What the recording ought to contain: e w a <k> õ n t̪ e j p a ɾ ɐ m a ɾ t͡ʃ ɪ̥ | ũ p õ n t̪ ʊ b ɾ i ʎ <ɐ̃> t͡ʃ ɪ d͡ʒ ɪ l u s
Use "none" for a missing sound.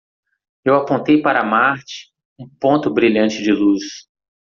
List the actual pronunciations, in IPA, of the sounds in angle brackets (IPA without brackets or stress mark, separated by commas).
p, ɐ̃